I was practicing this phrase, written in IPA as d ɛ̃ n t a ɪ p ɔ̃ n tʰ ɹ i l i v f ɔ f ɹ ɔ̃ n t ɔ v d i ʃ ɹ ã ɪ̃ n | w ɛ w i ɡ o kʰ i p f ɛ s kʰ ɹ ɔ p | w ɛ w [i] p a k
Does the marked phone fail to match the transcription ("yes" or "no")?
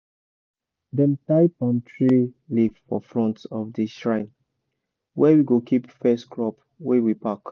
no